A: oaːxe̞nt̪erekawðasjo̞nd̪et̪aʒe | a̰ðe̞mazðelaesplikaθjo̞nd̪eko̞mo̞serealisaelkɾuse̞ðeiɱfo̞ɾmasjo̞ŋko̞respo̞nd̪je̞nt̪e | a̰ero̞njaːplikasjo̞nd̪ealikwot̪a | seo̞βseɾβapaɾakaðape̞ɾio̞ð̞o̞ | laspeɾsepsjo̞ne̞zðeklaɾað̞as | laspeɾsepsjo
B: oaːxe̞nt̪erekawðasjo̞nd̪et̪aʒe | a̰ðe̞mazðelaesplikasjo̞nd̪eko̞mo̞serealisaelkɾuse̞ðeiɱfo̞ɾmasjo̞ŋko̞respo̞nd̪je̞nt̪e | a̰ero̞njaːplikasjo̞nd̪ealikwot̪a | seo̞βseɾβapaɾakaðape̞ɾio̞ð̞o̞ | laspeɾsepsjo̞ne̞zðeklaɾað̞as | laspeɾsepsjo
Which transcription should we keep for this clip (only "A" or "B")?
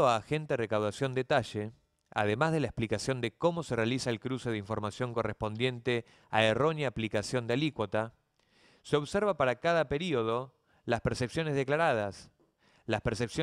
B